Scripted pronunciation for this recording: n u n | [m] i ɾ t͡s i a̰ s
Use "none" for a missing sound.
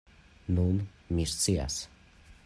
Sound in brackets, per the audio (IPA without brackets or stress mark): m